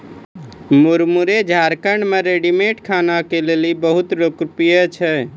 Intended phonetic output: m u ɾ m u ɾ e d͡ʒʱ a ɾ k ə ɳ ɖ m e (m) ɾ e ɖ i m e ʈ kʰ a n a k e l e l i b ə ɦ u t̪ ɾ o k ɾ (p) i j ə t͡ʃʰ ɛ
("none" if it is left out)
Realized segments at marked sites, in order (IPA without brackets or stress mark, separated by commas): none, p